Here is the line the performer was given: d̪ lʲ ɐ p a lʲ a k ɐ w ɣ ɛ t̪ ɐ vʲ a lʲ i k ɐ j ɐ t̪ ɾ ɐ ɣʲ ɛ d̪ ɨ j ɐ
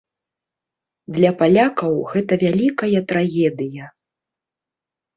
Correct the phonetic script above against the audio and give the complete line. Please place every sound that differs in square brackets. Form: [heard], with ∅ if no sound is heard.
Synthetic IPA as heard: d̪ lʲ ɐ p a lʲ a k ɐ w ɣ ɛ t̪ ɐ vʲ a lʲ i k ɐ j ɐ t̪ ɾ [a] ɣʲ ɛ d̪ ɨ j ɐ